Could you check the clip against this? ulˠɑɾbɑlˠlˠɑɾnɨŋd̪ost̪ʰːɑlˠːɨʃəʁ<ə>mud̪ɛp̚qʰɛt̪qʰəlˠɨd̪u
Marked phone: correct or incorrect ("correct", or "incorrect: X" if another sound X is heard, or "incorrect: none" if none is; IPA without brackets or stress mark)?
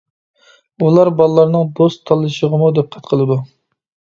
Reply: correct